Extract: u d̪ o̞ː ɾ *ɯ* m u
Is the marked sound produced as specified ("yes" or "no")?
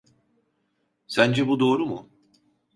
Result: no